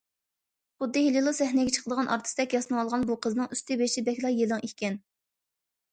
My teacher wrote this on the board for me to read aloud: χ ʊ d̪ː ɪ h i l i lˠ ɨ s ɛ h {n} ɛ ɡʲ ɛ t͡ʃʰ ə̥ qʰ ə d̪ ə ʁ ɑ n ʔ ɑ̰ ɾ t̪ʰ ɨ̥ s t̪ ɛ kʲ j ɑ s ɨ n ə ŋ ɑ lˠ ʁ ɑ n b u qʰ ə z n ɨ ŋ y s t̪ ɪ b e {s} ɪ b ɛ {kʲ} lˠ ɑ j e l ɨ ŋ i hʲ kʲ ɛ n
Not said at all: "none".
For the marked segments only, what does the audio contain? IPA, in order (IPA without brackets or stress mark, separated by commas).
n, ʃ, kʲ